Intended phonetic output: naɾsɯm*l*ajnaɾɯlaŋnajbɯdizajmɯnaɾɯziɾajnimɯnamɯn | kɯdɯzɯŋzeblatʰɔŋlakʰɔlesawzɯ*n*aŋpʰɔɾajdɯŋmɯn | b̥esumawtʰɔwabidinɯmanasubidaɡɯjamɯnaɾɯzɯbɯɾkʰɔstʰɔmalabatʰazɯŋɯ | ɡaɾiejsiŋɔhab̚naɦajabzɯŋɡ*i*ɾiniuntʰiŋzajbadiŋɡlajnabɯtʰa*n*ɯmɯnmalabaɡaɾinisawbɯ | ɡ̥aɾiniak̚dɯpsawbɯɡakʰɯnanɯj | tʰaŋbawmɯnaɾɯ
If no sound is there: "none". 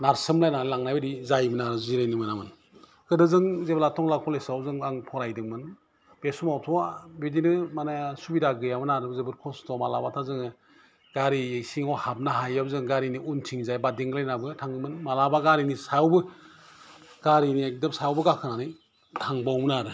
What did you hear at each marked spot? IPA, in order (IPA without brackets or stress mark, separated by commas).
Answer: l, ŋ, a, ŋ